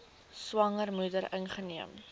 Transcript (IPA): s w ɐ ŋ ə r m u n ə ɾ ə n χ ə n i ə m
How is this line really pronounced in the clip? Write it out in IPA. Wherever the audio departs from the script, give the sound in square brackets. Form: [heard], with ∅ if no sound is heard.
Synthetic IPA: s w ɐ ŋ ə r m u [d] ə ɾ ə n χ ə n i ə m

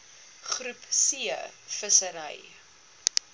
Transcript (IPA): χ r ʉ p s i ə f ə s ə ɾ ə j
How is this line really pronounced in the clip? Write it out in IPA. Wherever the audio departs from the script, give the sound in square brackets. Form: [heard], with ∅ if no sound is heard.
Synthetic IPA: χ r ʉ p s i ə f ə s ə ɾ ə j

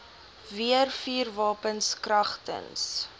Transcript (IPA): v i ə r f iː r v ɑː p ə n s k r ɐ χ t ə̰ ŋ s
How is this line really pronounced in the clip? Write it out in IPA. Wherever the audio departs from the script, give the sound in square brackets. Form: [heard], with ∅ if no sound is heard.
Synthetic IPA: v i ə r f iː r v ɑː p ə n s k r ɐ χ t ə̰ [n] s

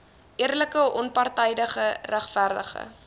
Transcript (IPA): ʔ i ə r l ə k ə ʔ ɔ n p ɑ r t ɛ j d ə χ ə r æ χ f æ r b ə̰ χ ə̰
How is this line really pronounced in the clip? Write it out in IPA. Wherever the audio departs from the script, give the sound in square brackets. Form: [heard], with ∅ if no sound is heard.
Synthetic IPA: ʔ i ə r l ə k ə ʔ ɔ n p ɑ r t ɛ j d ə χ ə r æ χ f æ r [d] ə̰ χ ə̰

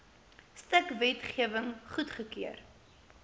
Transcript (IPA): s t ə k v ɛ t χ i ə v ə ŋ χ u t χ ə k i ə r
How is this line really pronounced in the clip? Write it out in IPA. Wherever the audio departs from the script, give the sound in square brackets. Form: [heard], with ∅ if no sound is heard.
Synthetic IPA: s t ə k v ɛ t χ i ə v ə ŋ χ u t χ ə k i ə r

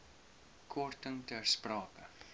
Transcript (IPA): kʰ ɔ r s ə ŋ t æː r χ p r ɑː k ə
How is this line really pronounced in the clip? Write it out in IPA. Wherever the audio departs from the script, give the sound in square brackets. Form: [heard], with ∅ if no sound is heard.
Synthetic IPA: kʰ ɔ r [t] ə ŋ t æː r [s] p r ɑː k ə

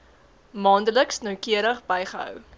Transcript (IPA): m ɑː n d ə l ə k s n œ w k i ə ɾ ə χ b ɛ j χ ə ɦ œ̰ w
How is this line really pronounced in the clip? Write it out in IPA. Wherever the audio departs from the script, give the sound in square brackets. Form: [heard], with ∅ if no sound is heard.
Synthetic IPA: m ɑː n d ə l ə k s n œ w k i ə ɾ ə χ b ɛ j χ ə ɦ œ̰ w

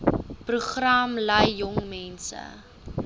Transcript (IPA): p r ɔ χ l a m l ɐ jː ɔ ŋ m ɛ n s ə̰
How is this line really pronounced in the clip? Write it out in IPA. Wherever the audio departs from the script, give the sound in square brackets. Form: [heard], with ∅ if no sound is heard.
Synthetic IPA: p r [u] χ [r] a m l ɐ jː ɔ ŋ m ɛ n s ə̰

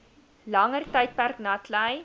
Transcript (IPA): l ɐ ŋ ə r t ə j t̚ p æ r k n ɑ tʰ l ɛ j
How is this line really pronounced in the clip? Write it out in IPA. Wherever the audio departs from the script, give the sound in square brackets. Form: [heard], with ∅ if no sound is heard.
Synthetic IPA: l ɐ ŋ ə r t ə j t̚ p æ r k n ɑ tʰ l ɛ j

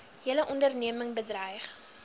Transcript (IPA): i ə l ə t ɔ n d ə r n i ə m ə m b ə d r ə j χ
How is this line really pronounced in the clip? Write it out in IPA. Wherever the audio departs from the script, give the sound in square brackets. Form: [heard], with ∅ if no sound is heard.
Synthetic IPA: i ə l ə [ʔ] ɔ n d ə r n i ə m ə [ŋ] b ə d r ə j χ

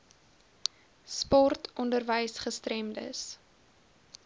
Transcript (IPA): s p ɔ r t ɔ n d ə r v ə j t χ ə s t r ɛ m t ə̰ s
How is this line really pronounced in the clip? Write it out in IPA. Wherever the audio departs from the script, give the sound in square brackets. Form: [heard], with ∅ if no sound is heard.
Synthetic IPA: s p ɔ r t ɔ n d ə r v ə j [s] χ ə s t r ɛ m [d] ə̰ s

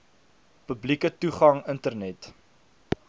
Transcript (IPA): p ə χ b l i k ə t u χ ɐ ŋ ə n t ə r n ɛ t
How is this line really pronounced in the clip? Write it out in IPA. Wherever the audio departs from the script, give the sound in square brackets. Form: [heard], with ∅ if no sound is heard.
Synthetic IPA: p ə [∅] b l i k ə t u χ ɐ ŋ ə n t ə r n ɛ t

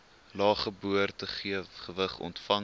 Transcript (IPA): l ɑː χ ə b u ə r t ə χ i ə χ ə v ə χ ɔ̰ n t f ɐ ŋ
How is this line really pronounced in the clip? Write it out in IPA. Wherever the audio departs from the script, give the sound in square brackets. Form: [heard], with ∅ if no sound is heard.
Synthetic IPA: l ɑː χ ə b u ə r t ə χ i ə χ ə v ə χ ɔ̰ n t f ɐ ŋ

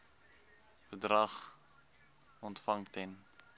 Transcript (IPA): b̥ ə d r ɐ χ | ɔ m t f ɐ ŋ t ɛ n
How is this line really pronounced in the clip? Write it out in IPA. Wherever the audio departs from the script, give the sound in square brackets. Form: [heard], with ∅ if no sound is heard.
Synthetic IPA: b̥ ə d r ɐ χ | ɔ [n] t f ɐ ŋ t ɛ n

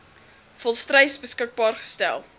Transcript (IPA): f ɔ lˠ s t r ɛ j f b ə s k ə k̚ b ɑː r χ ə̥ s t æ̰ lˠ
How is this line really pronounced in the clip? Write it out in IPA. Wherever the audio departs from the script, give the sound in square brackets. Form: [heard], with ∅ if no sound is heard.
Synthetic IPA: f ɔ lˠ s t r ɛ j [s] b ə s k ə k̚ b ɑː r χ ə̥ s t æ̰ lˠ

